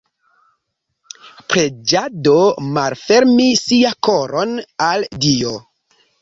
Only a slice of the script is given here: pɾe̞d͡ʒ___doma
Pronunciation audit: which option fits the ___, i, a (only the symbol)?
a